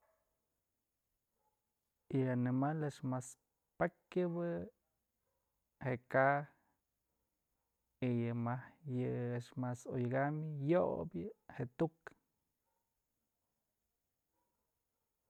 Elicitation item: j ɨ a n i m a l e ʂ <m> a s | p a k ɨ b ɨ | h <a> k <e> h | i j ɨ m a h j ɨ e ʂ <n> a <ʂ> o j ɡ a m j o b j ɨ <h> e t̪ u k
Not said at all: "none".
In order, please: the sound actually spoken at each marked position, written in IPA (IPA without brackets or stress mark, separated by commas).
m, e, a, m, s, h